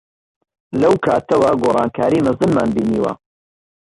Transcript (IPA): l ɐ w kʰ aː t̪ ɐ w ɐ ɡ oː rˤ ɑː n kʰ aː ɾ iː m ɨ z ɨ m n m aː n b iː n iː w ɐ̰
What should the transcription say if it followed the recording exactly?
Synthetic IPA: l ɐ w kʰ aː t̪ ɐ w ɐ ɡ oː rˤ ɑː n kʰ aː ɾ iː m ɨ z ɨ n m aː n b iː n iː w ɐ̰